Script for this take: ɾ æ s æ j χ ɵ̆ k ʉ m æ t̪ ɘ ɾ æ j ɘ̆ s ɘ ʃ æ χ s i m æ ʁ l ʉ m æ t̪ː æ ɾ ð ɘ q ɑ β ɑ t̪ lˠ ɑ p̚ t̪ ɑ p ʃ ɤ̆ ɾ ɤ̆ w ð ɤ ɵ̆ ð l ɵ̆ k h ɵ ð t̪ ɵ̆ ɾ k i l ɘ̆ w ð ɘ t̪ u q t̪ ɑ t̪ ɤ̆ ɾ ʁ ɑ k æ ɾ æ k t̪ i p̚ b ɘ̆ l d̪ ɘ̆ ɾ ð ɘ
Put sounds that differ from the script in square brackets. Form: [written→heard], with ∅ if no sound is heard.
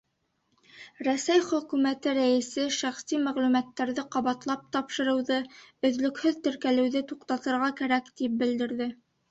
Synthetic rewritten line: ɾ æ s æ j χ ɵ̆ k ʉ m æ t̪ ɘ ɾ æ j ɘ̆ s ɘ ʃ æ χ s i m æ ʁ l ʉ m æ t̪ː æ ɾ ð ɘ q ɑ β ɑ t̪ lˠ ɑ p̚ t̪ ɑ p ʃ ɤ̆ ɾ ɤ̆ w ð ɤ ɵ̆ ð l ɵ̆ k h ɵ ð t̪ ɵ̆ ɾ k [i→æ] l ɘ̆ w ð ɘ t̪ u q t̪ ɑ t̪ ɤ̆ ɾ ʁ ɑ k æ ɾ æ k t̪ i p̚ b ɘ̆ l d̪ ɘ̆ ɾ ð ɘ